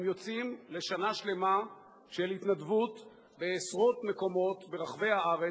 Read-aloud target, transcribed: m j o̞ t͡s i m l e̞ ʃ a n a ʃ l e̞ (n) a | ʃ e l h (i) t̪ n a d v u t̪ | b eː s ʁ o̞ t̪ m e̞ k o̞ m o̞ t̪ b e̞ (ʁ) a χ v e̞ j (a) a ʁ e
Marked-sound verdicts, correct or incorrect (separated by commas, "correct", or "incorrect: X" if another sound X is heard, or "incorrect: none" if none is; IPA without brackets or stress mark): incorrect: m, correct, correct, correct